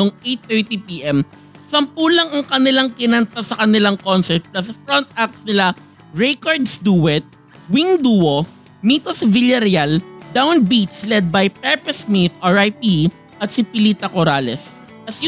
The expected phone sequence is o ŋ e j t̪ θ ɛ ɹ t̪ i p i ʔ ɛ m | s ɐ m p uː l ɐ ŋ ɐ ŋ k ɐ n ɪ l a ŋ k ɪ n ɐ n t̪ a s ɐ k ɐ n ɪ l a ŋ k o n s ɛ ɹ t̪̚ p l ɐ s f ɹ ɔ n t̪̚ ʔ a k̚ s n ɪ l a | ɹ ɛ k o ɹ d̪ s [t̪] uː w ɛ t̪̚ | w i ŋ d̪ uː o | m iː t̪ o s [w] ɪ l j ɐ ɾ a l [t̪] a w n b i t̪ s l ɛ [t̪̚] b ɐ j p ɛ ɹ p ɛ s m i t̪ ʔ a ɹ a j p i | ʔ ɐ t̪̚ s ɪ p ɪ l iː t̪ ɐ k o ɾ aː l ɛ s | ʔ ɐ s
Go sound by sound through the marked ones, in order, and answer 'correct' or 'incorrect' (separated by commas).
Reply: incorrect, incorrect, incorrect, incorrect